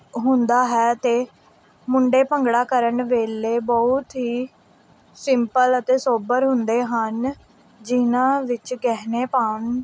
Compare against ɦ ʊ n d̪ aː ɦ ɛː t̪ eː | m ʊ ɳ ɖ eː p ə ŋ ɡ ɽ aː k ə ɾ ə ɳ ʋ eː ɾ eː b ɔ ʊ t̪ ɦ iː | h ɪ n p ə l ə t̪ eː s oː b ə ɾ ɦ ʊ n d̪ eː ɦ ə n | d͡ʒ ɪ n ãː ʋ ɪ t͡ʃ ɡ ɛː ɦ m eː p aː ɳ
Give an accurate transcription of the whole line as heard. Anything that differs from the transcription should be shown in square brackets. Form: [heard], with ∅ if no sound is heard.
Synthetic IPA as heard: ɦ ʊ n d̪ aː ɦ ɛː t̪ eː | m ʊ ɳ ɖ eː p ə ŋ ɡ ɽ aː k ə ɾ ə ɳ ʋ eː [l] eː b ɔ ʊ t̪ ɦ iː | [s] ɪ [m] p ə l ə t̪ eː s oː b ə ɾ ɦ ʊ n d̪ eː ɦ ə n | d͡ʒ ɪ n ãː ʋ ɪ t͡ʃ ɡ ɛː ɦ [n] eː p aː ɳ

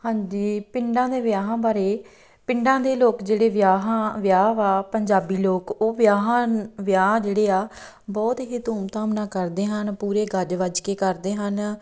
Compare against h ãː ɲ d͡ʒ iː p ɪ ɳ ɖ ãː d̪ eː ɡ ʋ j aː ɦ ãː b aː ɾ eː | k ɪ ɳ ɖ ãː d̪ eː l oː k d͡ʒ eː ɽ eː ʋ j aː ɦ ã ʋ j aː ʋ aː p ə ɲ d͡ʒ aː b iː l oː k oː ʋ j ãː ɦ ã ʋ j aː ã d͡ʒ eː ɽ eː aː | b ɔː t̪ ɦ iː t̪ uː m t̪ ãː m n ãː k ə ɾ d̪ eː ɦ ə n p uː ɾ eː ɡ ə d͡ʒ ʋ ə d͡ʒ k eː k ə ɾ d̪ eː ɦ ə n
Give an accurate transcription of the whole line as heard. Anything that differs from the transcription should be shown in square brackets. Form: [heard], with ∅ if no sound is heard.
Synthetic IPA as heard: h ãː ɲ d͡ʒ iː p ɪ ɳ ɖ ãː d̪ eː [∅] ʋ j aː ɦ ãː b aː ɾ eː | [p] ɪ ɳ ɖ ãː d̪ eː l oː k d͡ʒ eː ɽ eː ʋ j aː ɦ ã ʋ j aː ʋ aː p ə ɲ d͡ʒ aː b iː l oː k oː ʋ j [aː] ɦ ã ʋ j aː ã d͡ʒ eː ɽ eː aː | b ɔː t̪ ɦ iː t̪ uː m t̪ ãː m n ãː k ə ɾ d̪ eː ɦ ə n p uː ɾ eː ɡ ə d͡ʒ ʋ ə d͡ʒ k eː k ə ɾ d̪ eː ɦ ə n

